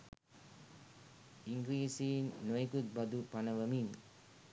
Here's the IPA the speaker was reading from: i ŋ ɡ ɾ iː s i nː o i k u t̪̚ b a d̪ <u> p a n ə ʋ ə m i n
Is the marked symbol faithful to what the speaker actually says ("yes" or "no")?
yes